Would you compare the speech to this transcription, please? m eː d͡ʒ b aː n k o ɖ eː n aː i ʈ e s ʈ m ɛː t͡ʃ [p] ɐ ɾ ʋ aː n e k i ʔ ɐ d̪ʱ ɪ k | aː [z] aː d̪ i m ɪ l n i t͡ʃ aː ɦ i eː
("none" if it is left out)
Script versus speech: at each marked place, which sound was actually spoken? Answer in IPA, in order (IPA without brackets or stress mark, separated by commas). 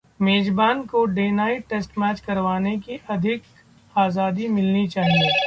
k, z